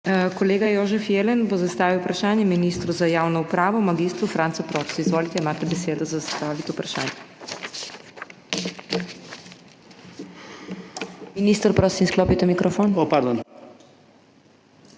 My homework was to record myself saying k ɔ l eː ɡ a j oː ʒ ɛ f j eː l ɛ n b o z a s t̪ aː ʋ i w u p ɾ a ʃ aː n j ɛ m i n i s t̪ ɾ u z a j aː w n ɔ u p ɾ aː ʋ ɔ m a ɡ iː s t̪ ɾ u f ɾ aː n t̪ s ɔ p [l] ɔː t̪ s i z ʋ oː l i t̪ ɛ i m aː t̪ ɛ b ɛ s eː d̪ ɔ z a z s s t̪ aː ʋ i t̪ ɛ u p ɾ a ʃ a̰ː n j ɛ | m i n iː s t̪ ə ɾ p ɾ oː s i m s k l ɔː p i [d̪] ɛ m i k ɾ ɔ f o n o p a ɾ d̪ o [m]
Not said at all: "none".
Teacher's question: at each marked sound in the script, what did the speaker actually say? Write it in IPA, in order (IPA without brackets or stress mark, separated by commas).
ɾ, t̪, n